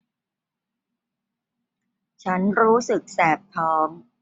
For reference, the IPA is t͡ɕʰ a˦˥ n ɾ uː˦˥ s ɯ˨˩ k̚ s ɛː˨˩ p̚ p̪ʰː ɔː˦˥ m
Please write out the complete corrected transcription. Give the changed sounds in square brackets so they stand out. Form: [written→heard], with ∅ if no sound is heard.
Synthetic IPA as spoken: t͡ɕʰ a˦˥ n ɾ uː˦˥ s ɯ˨˩ k̚ s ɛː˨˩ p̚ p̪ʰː ɔː˦˥ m